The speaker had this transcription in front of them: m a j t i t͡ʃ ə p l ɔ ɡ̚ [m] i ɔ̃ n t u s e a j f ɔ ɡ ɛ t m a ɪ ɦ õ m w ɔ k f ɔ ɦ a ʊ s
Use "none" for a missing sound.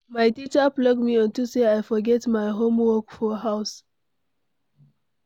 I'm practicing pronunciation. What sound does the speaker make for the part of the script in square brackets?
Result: m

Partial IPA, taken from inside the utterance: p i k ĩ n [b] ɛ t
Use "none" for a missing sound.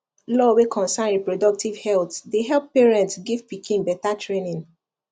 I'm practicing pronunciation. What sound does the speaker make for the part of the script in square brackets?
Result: b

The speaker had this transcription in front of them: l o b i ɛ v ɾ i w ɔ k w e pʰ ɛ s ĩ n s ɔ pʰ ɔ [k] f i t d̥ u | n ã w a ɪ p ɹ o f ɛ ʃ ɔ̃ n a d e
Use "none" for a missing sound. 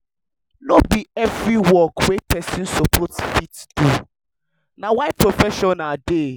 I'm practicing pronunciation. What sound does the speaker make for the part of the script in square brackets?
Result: t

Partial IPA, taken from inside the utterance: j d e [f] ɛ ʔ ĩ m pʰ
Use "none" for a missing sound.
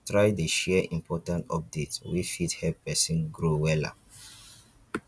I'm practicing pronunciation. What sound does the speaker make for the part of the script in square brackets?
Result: ʃ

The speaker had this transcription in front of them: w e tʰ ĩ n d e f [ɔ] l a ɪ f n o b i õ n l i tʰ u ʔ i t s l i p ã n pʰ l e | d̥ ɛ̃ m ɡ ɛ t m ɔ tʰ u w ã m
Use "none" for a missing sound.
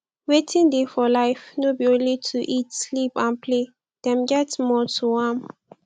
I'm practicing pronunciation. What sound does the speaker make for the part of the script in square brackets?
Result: ɔ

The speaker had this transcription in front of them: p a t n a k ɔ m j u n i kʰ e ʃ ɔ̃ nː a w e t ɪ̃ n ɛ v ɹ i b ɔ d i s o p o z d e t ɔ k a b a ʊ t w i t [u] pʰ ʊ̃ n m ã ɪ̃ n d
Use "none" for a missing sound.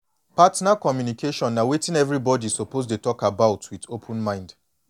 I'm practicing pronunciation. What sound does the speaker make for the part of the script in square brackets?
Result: o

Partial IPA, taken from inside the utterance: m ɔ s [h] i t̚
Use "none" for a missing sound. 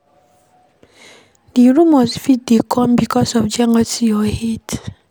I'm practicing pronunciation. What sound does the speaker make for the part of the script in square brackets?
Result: f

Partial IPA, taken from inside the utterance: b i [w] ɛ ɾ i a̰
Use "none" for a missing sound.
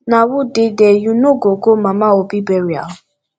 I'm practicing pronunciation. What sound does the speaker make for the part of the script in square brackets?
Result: b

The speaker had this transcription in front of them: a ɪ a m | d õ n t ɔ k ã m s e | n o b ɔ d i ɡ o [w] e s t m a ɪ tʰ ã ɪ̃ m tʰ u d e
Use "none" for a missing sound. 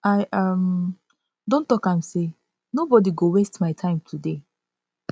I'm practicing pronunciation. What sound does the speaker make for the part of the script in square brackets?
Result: w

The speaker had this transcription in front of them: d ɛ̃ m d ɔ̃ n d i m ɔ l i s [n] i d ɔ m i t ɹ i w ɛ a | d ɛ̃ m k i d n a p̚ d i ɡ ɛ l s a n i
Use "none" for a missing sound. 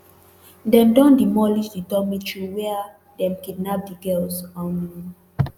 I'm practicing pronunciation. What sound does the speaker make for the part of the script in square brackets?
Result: d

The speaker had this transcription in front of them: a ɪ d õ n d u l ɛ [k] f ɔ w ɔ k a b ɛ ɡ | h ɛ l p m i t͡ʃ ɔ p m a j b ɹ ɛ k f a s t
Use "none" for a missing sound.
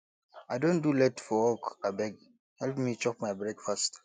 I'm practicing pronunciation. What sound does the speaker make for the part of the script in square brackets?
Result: t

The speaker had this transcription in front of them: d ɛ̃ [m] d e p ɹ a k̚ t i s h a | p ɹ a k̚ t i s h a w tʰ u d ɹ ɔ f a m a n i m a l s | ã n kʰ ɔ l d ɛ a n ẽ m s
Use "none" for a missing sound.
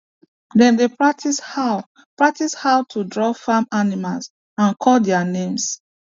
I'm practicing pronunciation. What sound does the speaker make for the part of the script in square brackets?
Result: n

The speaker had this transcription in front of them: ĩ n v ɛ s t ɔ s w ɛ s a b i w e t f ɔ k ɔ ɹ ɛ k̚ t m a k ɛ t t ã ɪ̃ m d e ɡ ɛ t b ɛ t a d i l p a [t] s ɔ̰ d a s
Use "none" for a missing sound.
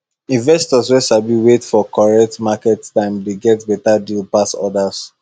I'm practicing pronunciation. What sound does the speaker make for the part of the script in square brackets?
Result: none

